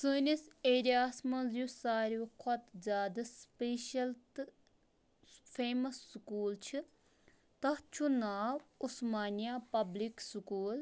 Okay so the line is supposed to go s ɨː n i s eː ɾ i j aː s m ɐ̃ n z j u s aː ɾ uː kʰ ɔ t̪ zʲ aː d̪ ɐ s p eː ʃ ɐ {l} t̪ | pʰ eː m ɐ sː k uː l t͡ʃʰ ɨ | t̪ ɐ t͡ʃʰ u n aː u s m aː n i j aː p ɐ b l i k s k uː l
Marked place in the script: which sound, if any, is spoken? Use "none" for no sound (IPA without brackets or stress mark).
l